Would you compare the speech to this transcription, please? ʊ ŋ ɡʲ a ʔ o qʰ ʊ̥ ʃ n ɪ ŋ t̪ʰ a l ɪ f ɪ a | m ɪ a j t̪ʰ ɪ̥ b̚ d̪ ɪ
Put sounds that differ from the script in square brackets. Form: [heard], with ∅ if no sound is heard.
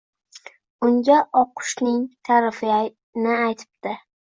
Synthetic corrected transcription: ʊ ŋ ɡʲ a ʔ [ɒ] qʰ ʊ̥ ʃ n ɪ ŋ t̪ʰ a [ɾ] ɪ f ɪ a | [n] ɪ a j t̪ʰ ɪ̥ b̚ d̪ ɪ